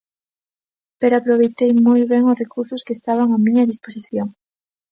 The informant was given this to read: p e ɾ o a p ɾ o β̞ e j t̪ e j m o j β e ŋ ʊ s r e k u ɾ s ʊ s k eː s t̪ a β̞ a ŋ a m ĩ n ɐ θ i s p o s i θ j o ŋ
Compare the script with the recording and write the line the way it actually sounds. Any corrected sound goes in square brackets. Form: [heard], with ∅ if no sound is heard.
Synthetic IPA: p e ɾ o a p ɾ o β̞ e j t̪ e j m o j β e ŋ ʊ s r e k u ɾ s ʊ s k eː s t̪ a β̞ a ŋ a m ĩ [ɲ] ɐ [ð] i s p o s i θ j o ŋ

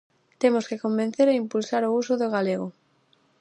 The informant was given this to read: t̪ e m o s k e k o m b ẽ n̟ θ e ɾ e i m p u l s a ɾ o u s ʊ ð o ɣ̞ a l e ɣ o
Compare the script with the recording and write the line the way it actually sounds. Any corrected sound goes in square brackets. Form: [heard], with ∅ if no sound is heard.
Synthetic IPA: t̪ e m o s k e k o m b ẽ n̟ θ e ɾ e i m p u l s a ɾ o u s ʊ ð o ɣ̞ a l e ɣ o

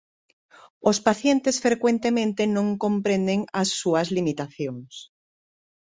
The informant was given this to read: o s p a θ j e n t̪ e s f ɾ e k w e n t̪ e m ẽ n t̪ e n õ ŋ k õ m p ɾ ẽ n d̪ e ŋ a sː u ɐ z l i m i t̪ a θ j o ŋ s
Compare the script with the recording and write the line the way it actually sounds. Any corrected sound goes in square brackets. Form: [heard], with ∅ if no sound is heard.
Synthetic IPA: o s p a θ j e n t̪ e s f ɾ e k w e n t̪ e m ẽ n t̪ e n õ ŋ k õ m p ɾ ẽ n d̪ e ŋ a sː u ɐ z l i m i t̪ a θ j o ŋ s

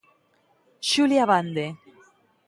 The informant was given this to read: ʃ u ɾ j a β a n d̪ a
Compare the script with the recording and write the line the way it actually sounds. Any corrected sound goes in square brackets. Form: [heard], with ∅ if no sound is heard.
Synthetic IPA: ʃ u [l] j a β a n d̪ [e]

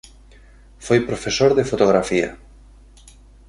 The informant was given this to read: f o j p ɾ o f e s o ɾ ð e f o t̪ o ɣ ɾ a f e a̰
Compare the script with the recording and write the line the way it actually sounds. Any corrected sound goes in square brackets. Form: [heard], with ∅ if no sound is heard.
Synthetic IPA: f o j p ɾ o f e s o ɾ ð e f o t̪ o ɣ ɾ a f [i] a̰

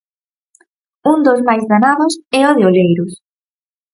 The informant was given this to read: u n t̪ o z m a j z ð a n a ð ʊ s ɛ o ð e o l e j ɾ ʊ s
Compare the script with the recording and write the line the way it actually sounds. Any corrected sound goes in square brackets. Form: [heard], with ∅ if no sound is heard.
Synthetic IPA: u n [d̪] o z m a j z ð a n a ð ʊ s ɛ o ð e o l e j ɾ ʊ s

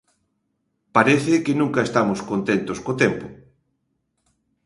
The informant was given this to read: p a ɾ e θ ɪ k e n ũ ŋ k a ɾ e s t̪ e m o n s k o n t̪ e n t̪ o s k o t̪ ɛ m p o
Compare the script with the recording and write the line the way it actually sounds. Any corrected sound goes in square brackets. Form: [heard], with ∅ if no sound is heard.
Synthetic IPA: p a ɾ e θ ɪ k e n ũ ŋ k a [∅] e s t̪ [a] m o [∅] s k o n t̪ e n t̪ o s k o t̪ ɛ m p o

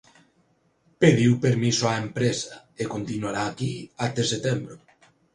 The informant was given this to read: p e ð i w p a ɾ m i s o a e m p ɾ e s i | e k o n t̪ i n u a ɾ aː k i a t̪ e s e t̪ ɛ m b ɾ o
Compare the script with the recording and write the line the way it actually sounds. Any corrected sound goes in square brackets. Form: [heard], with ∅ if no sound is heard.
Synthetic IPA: p e ð i w p [e] ɾ m i s o a e m p ɾ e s [a] | e k o n t̪ i n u a ɾ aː k i a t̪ e s e t̪ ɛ m b ɾ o

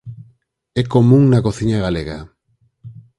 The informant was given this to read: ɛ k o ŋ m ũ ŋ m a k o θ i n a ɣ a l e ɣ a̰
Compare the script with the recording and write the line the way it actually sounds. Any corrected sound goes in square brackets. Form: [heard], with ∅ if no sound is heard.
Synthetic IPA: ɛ k o [∅] m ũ ŋ [n] a k o θ i [ɲ] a ɣ a l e ɣ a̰

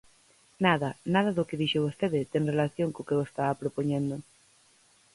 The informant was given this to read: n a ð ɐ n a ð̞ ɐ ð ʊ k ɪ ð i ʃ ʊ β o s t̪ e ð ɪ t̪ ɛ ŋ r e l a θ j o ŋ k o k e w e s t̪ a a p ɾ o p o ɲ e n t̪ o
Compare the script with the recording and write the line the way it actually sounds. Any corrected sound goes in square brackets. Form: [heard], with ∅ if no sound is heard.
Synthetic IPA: n a ð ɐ n a ð̞ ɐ ð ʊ k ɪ ð i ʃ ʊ β o s t̪ e ð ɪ t̪ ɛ ŋ r e l a θ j o ŋ k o k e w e s t̪ a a p ɾ o p o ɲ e n [d̪] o

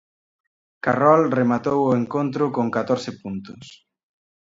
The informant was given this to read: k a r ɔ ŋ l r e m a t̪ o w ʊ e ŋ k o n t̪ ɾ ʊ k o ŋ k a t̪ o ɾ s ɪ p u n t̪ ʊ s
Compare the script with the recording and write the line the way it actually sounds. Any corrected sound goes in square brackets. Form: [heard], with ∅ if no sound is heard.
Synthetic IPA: k a r ɔ [∅] l r e m a t̪ o w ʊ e ŋ k o n t̪ ɾ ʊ k o ŋ k a t̪ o ɾ s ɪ p u n t̪ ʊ s

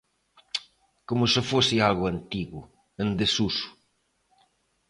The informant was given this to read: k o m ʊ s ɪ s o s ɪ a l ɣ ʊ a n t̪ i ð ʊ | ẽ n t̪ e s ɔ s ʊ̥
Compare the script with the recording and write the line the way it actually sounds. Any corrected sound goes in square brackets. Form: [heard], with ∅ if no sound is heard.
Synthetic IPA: k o m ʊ s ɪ [f] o s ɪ a l ɣ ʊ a n t̪ i [ɣ] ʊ | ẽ n [d̪] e s [u] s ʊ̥

